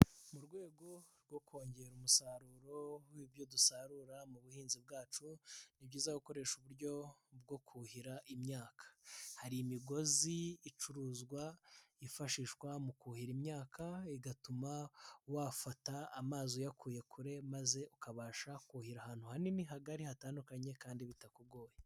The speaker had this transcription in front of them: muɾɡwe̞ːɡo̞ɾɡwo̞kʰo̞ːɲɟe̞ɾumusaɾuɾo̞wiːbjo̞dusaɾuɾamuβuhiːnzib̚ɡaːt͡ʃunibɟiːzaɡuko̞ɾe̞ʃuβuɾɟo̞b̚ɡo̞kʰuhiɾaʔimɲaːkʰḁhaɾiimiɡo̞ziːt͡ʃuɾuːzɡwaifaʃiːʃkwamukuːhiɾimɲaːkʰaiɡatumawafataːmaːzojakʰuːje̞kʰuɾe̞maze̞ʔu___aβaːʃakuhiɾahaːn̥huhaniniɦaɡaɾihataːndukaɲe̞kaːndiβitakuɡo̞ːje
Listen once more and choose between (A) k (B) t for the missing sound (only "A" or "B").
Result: A